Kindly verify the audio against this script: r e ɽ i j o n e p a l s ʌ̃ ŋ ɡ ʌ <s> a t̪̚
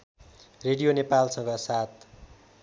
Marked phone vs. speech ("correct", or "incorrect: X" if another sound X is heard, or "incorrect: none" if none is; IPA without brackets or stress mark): correct